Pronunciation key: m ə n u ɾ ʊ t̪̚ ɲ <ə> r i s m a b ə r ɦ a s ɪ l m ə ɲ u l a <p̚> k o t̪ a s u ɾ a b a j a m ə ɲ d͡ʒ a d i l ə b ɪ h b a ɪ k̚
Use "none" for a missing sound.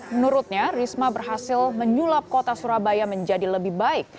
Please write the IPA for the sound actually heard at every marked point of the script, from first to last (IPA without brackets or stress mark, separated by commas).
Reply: a, p̚